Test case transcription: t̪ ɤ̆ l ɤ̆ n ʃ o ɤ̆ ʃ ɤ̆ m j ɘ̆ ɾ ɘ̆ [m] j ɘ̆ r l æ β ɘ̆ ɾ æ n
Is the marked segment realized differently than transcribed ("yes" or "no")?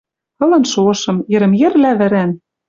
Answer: no